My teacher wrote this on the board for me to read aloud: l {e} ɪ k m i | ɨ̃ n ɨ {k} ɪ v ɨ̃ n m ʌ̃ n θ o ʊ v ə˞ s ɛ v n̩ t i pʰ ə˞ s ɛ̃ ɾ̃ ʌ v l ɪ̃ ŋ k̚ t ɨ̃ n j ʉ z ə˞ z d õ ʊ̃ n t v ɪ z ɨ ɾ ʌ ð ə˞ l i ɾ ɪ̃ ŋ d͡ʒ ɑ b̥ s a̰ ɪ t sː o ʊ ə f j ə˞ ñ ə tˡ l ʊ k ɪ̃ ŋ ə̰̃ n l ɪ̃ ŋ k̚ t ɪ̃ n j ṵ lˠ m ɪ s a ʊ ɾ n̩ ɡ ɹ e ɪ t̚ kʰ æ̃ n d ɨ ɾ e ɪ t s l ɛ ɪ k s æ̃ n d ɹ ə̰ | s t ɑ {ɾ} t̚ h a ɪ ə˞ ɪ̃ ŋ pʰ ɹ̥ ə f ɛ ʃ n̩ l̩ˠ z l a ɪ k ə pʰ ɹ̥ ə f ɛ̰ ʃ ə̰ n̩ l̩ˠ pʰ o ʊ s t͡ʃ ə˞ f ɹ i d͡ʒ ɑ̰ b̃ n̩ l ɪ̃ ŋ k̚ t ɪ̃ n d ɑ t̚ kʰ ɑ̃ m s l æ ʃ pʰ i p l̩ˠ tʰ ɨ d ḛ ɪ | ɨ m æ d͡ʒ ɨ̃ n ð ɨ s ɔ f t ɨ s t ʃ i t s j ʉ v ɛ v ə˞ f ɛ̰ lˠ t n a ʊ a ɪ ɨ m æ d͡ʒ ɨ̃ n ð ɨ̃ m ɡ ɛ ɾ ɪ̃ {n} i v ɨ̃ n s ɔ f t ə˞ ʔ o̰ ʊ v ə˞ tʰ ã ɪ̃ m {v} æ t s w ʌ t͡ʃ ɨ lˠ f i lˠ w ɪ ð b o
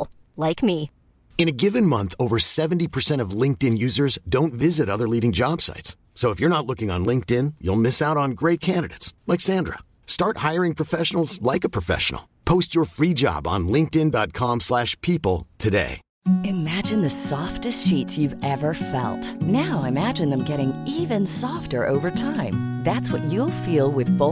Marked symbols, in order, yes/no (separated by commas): no, no, no, no, no